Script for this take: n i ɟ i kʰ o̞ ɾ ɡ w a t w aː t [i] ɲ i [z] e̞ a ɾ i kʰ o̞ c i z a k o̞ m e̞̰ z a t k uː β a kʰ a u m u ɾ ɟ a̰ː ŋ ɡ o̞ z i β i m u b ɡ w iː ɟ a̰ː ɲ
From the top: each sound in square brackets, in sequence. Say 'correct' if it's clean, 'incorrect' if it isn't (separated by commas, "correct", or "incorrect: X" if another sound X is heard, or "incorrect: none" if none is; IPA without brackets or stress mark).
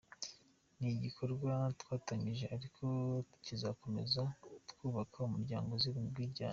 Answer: incorrect: a, incorrect: ʒ